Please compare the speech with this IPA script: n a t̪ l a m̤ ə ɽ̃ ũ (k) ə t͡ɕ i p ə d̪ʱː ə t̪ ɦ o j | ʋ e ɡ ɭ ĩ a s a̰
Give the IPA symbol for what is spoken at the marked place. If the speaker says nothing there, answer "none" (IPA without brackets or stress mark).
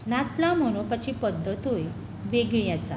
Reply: p